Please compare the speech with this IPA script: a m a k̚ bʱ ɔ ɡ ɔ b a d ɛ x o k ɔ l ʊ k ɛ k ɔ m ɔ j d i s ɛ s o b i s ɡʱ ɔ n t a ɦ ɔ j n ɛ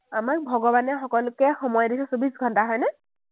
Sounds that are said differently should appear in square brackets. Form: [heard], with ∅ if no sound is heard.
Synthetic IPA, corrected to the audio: a m a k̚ bʱ ɔ ɡ ɔ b a [n] ɛ x [ɔ] k ɔ l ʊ k ɛ [x] ɔ m ɔ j d i s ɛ s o b i s ɡʱ ɔ n t a ɦ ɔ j n ɛ

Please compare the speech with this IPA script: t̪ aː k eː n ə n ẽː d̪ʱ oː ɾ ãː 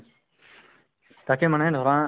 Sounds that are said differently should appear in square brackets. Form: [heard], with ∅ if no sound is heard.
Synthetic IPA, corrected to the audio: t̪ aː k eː [m] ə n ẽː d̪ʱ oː ɾ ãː

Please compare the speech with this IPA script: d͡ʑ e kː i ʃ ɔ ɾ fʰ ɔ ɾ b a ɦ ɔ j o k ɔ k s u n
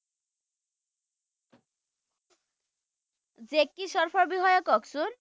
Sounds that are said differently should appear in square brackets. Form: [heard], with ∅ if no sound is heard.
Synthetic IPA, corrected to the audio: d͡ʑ e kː i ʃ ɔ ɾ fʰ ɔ ɾ b [i] ɦ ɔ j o k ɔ k s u n

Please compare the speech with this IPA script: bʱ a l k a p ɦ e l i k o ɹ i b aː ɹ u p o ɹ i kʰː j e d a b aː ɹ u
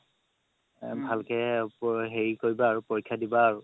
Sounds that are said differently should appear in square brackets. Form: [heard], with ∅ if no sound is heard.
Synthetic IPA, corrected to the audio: bʱ a l k [ɛ] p ɦ e [ɹ] i k o ɹ i b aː ɹ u p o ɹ i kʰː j [a] d [i] b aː ɹ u

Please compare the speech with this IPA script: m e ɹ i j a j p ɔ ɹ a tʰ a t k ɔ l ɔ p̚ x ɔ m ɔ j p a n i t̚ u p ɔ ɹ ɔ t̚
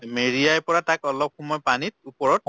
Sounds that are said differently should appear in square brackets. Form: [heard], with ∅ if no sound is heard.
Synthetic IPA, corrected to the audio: m e ɹ i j a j p ɔ ɹ a [t] a [∅] k ɔ l ɔ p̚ x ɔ m ɔ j p a n i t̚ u p ɔ ɹ ɔ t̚

